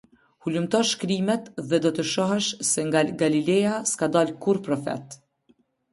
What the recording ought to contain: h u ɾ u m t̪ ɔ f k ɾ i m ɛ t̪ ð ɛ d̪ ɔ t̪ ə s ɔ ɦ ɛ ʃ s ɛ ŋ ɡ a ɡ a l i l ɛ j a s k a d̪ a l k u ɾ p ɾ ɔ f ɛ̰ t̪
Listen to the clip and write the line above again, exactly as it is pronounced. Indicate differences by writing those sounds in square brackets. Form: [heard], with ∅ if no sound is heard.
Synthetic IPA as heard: h u [l] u m t̪ ɔ [ʃ] k ɾ i m ɛ t̪ ð ɛ d̪ ɔ t̪ ə [ʃ] ɔ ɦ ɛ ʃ s ɛ ŋ ɡ a ɡ a l i l ɛ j a s k a d̪ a l k u ɾ p ɾ ɔ f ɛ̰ t̪

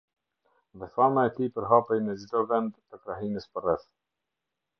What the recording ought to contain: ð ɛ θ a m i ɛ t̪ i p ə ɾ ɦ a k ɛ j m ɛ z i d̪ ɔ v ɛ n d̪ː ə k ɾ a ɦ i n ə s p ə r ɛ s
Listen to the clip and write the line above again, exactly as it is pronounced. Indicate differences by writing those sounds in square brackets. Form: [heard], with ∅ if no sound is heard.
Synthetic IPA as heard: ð ɛ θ a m [a] ɛ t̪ i p ə ɾ ɦ a [p] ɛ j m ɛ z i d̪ ɔ v ɛ n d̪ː ə k ɾ a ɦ i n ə s p ə r ɛ [θ]

